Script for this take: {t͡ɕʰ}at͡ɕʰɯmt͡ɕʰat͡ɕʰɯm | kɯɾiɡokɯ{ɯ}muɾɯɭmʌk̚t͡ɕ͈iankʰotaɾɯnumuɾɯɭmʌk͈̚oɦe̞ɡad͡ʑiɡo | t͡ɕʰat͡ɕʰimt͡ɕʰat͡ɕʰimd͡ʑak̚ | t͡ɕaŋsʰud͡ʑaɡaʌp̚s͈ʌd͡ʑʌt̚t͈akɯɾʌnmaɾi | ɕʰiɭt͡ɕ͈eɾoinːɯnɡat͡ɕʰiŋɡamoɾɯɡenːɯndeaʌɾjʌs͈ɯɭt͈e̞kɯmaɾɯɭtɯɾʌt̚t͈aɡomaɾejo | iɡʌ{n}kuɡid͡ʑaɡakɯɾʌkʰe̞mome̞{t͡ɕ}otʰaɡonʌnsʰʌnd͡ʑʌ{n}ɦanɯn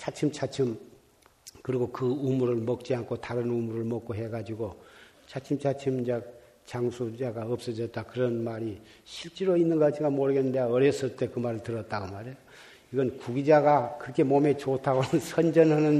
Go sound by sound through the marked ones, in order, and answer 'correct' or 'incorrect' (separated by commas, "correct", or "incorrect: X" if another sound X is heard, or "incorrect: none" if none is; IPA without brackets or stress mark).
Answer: correct, incorrect: u, correct, correct, correct